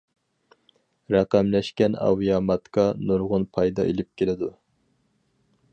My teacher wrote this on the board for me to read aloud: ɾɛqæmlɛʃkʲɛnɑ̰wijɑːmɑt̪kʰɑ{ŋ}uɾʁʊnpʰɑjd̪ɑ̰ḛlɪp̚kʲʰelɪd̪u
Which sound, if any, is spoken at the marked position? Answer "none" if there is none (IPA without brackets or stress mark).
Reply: n